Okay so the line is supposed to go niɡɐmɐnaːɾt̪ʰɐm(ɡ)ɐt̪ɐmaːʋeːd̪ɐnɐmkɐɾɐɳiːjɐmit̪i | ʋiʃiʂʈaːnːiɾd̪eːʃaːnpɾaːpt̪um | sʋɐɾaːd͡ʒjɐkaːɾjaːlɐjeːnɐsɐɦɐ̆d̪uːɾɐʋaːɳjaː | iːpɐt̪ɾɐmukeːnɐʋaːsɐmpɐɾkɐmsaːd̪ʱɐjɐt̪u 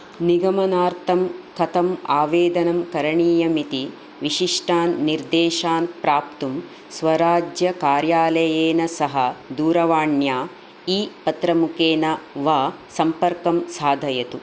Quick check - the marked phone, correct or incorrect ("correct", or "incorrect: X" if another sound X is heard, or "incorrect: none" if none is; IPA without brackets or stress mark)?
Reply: incorrect: k